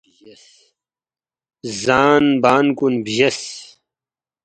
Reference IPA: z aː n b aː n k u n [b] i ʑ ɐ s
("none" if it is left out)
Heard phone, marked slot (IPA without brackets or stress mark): b